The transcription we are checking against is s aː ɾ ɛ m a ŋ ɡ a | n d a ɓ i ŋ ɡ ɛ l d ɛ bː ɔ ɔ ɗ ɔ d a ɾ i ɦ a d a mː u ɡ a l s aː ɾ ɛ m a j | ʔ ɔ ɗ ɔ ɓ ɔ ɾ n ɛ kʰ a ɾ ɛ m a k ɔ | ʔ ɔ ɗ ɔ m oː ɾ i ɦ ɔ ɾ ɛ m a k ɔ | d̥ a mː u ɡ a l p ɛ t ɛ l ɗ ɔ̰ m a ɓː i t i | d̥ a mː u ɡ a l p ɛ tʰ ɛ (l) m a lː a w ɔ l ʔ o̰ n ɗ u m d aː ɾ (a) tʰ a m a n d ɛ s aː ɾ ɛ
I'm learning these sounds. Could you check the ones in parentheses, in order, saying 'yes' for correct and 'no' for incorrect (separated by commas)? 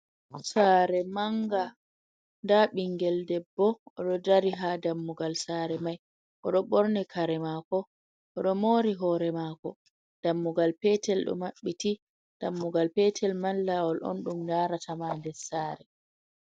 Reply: yes, yes